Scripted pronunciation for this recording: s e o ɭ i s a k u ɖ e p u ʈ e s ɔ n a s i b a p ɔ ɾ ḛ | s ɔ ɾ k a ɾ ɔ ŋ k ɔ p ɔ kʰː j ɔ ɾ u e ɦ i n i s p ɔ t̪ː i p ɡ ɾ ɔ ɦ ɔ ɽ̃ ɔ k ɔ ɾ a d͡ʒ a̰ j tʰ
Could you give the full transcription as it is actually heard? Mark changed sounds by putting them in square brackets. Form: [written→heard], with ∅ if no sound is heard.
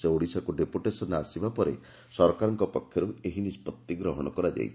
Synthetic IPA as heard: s e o [ɭ→ɽ] i s a k u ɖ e p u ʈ e s ɔ n a s i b a p ɔ ɾ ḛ | s ɔ ɾ k a ɾ ɔ ŋ k ɔ p ɔ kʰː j ɔ ɾ u e ɦ i n i s p ɔ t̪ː i [p→∅] ɡ ɾ ɔ ɦ ɔ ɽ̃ ɔ k ɔ ɾ a d͡ʒ a̰ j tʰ